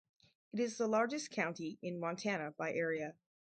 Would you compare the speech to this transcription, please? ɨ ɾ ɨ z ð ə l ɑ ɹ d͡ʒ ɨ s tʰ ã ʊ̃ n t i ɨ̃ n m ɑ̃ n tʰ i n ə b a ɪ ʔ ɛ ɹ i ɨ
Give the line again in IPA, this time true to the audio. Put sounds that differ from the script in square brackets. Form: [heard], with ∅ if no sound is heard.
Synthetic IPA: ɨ ɾ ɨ z ð ə l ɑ ɹ d͡ʒ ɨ s [kʰ] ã ʊ̃ n t i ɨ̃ n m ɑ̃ n tʰ [æ] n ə b a ɪ ʔ ɛ ɹ i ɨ